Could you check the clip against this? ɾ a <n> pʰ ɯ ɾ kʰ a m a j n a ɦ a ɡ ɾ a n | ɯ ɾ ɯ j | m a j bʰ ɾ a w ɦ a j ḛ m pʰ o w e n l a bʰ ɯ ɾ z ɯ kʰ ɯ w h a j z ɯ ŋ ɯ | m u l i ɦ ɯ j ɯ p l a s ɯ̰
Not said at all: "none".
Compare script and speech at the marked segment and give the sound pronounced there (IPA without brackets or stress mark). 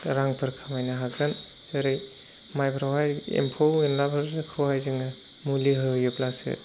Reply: ŋ